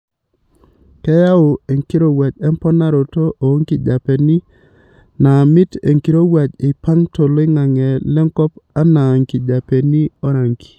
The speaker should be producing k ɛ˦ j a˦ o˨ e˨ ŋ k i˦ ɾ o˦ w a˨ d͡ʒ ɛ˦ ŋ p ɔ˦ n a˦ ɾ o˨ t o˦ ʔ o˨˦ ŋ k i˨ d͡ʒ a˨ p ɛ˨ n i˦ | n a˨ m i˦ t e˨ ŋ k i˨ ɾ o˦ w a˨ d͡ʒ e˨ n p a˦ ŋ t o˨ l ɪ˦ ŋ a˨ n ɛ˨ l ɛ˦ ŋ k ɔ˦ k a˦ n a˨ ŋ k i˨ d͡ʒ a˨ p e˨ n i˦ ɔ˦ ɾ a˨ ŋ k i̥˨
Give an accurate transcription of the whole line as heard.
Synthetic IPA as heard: k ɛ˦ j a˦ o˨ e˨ ŋ k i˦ ɾ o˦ w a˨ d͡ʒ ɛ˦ m p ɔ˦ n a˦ ɾ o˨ t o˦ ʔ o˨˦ ŋ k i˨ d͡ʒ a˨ p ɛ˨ n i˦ | n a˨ m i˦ t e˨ ŋ k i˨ ɾ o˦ w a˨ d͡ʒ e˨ p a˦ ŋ t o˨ l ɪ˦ ŋ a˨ ŋ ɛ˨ l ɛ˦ ŋ k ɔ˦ p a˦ n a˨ ŋ k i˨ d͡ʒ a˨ p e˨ n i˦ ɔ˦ ɾ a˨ ŋ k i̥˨